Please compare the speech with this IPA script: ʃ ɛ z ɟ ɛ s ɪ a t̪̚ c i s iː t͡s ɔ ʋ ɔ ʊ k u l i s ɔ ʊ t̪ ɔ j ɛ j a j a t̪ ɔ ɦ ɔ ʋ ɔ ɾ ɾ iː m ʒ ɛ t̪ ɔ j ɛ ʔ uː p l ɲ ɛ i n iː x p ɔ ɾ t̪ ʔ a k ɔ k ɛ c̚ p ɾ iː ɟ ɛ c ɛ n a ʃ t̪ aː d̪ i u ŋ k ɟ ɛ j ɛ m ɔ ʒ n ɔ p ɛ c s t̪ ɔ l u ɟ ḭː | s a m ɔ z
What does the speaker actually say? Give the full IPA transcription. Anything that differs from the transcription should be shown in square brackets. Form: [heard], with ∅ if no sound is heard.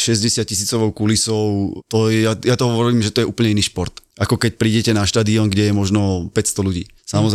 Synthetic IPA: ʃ ɛ z ɟ ɛ s ɪ a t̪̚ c i s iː t͡s ɔ ʋ ɔ ʊ k u l i s ɔ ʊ t̪ ɔ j ɛ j a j a t̪ ɔ ɦ ɔ ʋ ɔ ɾ ɾ iː m ʒ ɛ t̪ ɔ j ɛ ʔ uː p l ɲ ɛ i n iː [ʃ] p ɔ ɾ t̪ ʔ a k ɔ k ɛ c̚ p ɾ iː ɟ ɛ c ɛ n a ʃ t̪ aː d̪ i [ɔ] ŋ [ɡ] ɟ ɛ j ɛ m ɔ ʒ n ɔ p ɛ c s t̪ ɔ l u ɟ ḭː | s a m ɔ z